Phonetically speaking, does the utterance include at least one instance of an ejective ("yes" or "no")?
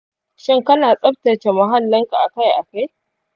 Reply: yes